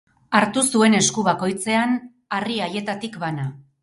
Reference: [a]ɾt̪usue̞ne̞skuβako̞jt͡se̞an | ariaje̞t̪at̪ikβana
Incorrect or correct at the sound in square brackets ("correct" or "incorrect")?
correct